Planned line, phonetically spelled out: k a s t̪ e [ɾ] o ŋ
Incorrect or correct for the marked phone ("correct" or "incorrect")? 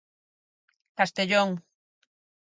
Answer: incorrect